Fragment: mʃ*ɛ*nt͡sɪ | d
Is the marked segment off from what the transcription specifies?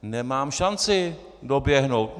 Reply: yes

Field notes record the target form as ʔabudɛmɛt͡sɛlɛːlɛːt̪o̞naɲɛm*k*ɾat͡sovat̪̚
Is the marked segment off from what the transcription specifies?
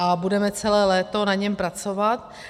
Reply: yes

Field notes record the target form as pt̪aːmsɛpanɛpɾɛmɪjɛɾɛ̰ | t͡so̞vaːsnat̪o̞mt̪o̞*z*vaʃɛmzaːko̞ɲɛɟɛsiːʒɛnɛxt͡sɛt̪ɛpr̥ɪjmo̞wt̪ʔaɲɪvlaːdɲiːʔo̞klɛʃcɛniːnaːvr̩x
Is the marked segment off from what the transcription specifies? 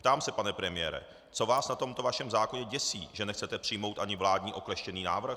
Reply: yes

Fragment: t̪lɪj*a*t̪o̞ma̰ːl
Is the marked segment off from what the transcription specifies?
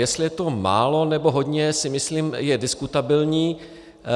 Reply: yes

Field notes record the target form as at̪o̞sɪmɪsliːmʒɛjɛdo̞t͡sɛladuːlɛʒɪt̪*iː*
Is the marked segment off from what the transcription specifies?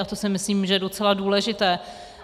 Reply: yes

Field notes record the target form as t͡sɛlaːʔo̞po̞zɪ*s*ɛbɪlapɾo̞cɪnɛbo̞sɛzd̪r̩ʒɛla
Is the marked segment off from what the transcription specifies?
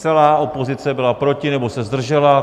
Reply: yes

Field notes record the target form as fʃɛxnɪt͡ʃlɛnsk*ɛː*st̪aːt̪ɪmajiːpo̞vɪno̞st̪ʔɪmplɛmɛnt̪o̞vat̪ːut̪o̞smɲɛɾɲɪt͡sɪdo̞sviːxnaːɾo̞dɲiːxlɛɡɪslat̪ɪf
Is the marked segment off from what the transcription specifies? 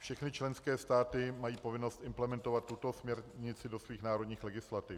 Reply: no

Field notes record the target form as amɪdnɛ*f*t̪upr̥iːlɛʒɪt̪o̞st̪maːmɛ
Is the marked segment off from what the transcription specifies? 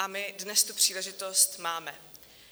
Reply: yes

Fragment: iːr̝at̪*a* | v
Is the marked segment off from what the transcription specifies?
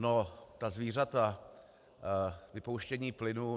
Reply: no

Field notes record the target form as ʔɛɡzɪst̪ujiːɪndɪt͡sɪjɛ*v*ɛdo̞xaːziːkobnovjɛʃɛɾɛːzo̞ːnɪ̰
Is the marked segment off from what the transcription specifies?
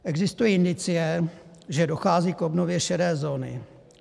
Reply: yes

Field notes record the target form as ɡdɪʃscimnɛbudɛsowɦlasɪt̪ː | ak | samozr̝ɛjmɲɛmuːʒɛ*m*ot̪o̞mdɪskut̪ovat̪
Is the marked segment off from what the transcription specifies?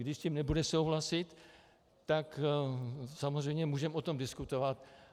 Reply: no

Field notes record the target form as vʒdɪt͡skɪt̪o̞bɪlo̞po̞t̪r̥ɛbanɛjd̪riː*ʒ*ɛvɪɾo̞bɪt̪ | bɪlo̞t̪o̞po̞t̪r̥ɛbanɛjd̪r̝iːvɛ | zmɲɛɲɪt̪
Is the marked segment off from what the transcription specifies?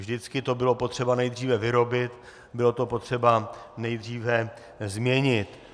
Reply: yes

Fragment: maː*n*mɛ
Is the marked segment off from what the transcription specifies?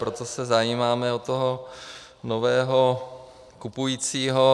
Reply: yes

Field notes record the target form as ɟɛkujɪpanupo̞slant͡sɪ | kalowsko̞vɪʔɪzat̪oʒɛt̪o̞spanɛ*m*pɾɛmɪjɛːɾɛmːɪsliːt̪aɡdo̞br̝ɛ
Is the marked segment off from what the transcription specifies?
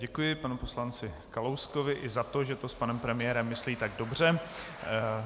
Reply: no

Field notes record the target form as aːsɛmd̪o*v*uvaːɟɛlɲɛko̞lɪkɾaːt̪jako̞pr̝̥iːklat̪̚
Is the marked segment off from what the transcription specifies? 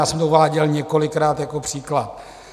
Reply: yes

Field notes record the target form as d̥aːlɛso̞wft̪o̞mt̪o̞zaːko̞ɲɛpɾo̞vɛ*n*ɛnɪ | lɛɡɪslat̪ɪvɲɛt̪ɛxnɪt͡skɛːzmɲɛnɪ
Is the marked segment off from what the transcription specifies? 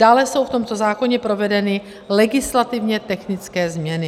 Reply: yes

